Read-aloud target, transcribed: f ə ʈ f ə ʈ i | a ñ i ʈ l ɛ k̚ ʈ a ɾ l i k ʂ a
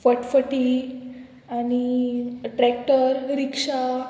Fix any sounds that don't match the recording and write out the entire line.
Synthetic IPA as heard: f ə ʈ f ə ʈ i | a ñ i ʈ ɾ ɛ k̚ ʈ ə ɾ ɾ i k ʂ a